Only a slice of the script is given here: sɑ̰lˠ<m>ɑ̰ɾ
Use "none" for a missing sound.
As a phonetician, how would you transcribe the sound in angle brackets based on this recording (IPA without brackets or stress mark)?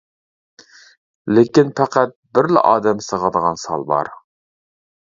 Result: b